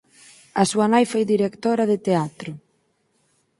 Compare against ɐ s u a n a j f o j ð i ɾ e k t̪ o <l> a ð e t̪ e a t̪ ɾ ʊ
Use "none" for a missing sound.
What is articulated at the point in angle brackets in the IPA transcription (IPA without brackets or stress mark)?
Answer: ɾ